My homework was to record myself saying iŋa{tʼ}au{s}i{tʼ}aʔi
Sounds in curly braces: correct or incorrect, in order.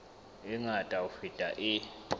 correct, incorrect: f, correct

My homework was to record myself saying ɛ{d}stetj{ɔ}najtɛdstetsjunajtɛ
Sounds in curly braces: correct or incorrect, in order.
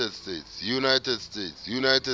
correct, incorrect: u

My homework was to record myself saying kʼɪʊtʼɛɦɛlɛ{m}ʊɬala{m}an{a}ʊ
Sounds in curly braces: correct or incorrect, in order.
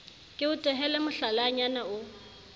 correct, incorrect: ɲ, correct

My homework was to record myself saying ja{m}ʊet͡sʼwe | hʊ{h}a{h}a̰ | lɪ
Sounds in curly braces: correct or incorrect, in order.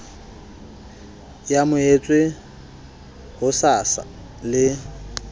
correct, incorrect: s, incorrect: s

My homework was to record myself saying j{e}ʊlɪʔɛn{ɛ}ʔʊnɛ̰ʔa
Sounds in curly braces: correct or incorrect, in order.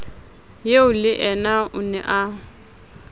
correct, incorrect: a

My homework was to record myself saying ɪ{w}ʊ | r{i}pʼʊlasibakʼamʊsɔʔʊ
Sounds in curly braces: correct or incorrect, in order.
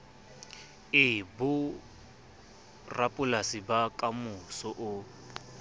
incorrect: b, incorrect: a

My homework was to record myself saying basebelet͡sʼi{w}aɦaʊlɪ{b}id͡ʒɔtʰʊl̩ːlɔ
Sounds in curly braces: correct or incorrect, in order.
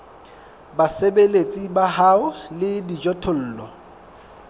incorrect: b, incorrect: d

